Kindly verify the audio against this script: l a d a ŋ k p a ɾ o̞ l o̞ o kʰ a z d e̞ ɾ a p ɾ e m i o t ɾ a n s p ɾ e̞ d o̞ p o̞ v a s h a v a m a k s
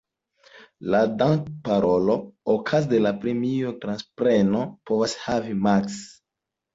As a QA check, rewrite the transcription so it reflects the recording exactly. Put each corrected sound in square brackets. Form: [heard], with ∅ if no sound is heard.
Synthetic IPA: l a d a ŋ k p a ɾ o̞ l o̞ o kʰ a z d e̞ [l] a p ɾ e m i o t ɾ a n s p ɾ e̞ [n] o̞ p o̞ v a s h a v [i] m a k s